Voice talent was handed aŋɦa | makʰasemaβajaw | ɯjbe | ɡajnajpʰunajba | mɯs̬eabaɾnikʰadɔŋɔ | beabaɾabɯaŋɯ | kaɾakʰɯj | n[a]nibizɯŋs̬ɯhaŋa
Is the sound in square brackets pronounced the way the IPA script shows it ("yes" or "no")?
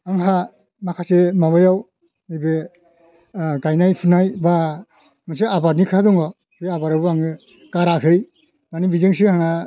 yes